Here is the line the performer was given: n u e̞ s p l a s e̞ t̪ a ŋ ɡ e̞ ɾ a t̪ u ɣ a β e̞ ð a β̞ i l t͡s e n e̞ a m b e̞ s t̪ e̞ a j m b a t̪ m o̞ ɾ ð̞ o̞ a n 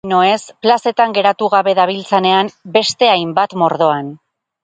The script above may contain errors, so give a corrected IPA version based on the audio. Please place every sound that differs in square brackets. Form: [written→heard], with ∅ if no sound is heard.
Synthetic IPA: n [u→o] e̞ s p l a s e̞ t̪ a ŋ ɡ e̞ ɾ a t̪ u ɣ a β e̞ ð a β̞ i l t͡s e n e̞ a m b e̞ s t̪ e̞ a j m b a t̪ m o̞ ɾ ð̞ o̞ a n